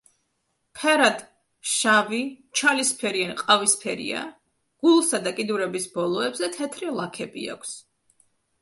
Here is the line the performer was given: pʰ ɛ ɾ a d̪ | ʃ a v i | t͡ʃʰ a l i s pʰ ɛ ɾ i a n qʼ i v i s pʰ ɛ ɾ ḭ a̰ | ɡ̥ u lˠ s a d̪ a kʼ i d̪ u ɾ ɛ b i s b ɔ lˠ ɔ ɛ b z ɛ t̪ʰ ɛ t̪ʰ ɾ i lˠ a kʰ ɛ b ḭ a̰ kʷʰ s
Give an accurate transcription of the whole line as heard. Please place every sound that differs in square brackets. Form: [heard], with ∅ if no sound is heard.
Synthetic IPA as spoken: pʰ ɛ ɾ a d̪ | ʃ a v i | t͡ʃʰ a l i s pʰ ɛ ɾ i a n qʼ [a] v i s pʰ ɛ ɾ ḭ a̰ | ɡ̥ u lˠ s a d̪ a kʼ i d̪ u ɾ ɛ b i s b ɔ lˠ ɔ ɛ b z ɛ t̪ʰ ɛ t̪ʰ ɾ i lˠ a kʰ ɛ b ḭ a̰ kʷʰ s